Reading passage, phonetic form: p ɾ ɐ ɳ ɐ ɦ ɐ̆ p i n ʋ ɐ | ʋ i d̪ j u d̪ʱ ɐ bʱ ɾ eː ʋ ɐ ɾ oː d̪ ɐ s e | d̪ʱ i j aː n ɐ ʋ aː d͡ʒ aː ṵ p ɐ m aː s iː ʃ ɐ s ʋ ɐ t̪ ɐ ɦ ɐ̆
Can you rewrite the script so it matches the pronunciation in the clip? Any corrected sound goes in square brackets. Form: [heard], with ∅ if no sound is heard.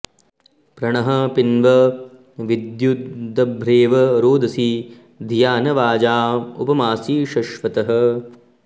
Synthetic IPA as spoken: p ɾ ɐ ɳ ɐ ɦ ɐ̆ p i n ʋ ɐ | ʋ i d̪ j u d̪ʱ ɐ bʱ ɾ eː ʋ ɐ ɾ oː d̪ ɐ s [i] | d̪ʱ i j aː n ɐ ʋ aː d͡ʒ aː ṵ p ɐ m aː s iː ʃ ɐ [ʃ] ʋ ɐ t̪ ɐ ɦ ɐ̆

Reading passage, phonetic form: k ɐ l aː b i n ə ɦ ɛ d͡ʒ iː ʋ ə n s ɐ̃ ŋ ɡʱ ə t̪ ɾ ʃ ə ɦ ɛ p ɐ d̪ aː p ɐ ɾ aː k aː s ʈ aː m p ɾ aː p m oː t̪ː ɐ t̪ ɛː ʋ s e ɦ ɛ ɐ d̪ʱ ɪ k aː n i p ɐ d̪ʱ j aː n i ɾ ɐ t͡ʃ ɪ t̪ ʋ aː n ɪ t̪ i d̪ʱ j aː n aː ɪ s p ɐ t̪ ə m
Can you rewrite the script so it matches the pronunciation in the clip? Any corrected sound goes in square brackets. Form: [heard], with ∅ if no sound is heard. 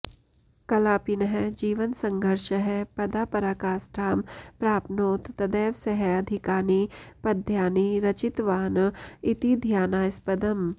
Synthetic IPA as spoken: k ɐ l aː [p] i n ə ɦ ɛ d͡ʒ iː ʋ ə n s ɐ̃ ŋ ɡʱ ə [∅] ɾ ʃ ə ɦ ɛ p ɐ d̪ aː p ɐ ɾ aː k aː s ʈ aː m p ɾ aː p [n] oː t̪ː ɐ [d̪] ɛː ʋ s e ɦ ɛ ɐ d̪ʱ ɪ k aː n i p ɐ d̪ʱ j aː n i ɾ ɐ t͡ʃ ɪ t̪ ʋ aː n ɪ t̪ i d̪ʱ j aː n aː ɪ s p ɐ [d̪] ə m

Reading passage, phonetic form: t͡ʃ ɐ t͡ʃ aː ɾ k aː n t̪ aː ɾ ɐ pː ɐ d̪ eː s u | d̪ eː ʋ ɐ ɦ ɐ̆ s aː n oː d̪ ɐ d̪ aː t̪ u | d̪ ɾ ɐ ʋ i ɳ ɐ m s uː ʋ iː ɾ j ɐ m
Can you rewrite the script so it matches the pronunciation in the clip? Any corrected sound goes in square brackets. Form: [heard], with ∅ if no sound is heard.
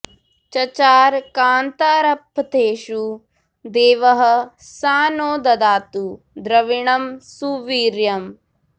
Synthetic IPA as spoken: t͡ʃ ɐ t͡ʃ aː ɾ k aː n t̪ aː ɾ ɐ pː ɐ [t̪] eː [ʃ] u | d̪ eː ʋ ɐ ɦ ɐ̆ s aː n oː d̪ ɐ d̪ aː t̪ u | d̪ ɾ ɐ ʋ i ɳ ɐ m s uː ʋ iː ɾ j ɐ m

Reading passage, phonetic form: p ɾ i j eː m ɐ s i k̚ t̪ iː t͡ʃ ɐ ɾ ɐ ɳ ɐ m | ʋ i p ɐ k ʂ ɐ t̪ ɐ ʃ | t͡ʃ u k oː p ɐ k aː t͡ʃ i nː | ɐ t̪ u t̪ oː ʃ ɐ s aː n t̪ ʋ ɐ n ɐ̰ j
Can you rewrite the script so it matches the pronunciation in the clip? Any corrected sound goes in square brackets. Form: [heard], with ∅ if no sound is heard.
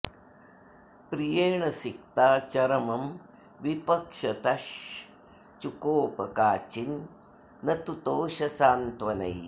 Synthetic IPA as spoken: p ɾ i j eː [ɳ] ɐ s i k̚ t̪ [aː] t͡ʃ ɐ ɾ ɐ [m] ɐ m | ʋ i p ɐ k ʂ ɐ t̪ ɐ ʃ | t͡ʃ u k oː p ɐ k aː t͡ʃ i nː | ɐ t̪ u t̪ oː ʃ ɐ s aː n t̪ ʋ ɐ n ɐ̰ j

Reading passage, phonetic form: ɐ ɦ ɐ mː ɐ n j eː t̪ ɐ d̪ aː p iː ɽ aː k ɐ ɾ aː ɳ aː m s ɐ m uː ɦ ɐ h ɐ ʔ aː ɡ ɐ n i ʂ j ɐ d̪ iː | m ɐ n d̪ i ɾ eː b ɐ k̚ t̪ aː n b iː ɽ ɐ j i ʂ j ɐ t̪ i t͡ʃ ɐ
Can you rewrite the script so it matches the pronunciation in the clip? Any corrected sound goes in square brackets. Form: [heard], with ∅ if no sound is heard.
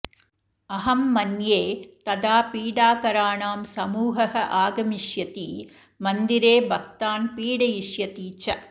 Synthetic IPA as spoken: ɐ ɦ ɐ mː ɐ n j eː t̪ ɐ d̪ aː p iː ɽ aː k ɐ ɾ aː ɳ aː m s ɐ m uː ɦ ɐ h ɐ ʔ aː ɡ ɐ [m] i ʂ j ɐ [t̪] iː | m ɐ n d̪ i ɾ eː b ɐ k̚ t̪ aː n [p] iː ɽ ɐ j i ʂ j ɐ t̪ [iː] t͡ʃ ɐ

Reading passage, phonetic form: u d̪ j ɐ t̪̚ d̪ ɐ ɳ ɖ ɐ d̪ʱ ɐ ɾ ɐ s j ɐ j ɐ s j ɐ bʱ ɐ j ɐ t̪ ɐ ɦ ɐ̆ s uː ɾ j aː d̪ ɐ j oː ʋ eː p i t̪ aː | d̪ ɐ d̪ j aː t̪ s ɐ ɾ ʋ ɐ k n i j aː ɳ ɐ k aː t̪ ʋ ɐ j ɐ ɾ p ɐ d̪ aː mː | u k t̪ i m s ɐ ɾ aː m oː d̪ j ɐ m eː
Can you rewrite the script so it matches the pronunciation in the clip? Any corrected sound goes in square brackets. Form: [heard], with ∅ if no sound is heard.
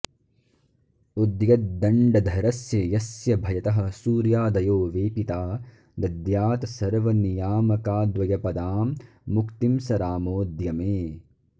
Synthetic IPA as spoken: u d̪ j ɐ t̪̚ d̪ ɐ ɳ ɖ ɐ d̪ʱ ɐ ɾ ɐ s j ɐ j ɐ s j ɐ bʱ ɐ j ɐ t̪ ɐ ɦ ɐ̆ s uː ɾ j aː d̪ ɐ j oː ʋ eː p i t̪ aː | d̪ ɐ d̪ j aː t̪ s ɐ ɾ ʋ ɐ [∅] n i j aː [m] ɐ k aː [d̪] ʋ ɐ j ɐ [∅] p ɐ d̪ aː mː | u k t̪ i m s ɐ ɾ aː m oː d̪ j ɐ m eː

